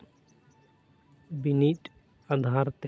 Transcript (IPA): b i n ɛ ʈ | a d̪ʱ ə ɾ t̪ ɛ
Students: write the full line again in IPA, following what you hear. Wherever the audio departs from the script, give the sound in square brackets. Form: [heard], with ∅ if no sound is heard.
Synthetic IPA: b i n [i] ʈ | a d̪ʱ [a] ɾ t̪ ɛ